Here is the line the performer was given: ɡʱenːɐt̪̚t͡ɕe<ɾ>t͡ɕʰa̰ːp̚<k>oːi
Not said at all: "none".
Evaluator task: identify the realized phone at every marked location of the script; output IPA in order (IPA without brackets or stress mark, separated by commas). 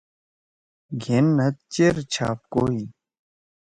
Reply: ɾ, k